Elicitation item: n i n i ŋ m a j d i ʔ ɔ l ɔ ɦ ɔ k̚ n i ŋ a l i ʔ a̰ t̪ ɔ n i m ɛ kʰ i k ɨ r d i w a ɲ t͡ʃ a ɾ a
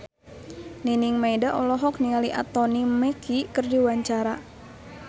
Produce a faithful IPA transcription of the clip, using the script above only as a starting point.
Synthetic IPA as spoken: n i n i ŋ m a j d a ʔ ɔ l ɔ ɦ ɔ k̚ n i ŋ a l i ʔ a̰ t̪ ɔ n i m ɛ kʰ i k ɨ r d i w a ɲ t͡ʃ a ɾ a